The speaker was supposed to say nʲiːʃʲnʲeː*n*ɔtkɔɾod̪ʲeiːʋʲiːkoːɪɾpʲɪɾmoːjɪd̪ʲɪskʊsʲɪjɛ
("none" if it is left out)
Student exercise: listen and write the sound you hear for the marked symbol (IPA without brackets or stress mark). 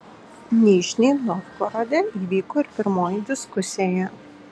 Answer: n